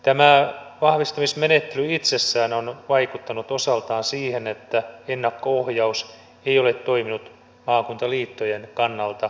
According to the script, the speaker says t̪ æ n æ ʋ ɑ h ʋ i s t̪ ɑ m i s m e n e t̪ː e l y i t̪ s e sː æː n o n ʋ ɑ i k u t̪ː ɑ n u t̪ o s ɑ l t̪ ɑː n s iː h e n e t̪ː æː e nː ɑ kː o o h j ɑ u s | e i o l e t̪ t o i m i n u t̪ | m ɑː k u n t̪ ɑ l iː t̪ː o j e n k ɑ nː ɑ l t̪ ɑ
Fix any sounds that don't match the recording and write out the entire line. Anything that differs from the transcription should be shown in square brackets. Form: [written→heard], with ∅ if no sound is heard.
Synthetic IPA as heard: t̪ æ [n→m] æ ʋ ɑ h ʋ i s t̪ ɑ m i s m e n e t̪ː e l y i t̪ s e sː æː n o n ʋ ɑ i k u t̪ː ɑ n u t̪ o s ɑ l t̪ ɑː n s iː h e n e t̪ː [æː→æ] e nː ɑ kː o o h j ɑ u s | e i o l e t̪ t o i m i n u t̪ | m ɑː k u n t̪ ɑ l iː t̪ː o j e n k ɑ nː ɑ l t̪ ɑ

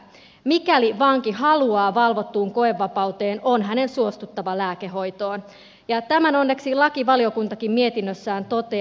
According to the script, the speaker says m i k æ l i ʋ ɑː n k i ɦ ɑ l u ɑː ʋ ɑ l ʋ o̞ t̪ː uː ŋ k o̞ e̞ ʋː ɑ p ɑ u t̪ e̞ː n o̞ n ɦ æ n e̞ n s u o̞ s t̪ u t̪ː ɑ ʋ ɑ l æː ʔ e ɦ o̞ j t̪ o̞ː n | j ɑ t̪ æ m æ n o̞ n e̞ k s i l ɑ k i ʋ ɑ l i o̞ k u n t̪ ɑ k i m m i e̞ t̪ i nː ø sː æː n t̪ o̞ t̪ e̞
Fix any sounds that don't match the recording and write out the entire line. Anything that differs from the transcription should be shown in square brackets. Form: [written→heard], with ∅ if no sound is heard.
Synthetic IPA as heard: m i k æ l i ʋ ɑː [n→ŋ] k i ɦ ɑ l u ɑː ʋ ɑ l ʋ o̞ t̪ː uː ŋ k o̞ e̞ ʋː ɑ p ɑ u t̪ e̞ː n o̞ n ɦ æ n e̞ n s u o̞ s t̪ u t̪ː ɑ ʋ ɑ l æː [ʔ→k] e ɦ o̞ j t̪ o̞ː n | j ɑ t̪ æ m æ n o̞ [n→nː] e̞ k s i l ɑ k i ʋ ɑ l i o̞ k u n t̪ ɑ k i m m i e̞ t̪ i nː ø sː æː n t̪ o̞ t̪ e̞

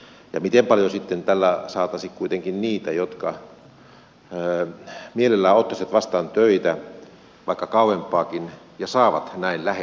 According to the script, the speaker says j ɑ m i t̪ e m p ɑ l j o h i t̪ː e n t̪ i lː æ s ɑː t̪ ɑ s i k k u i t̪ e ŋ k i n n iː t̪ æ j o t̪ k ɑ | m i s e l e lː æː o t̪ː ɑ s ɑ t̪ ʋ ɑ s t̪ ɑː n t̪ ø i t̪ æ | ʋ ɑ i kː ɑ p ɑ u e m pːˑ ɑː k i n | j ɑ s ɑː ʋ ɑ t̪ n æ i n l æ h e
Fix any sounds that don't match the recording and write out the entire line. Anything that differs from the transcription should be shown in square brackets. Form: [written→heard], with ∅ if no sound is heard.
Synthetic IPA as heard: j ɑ m i t̪ e m p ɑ l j o [h→s] i t̪ː e n t̪ [i→æ] lː æ s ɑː t̪ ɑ s i k k u i t̪ e ŋ k i n n iː t̪ æ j o t̪ k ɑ | m i [s→∅] e l e lː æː o t̪ː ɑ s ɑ t̪ ʋ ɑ s t̪ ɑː n t̪ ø i t̪ æ | ʋ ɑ i kː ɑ [p→k] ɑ u e m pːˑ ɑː k i n | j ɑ s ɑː ʋ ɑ t̪ n æ i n l æ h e

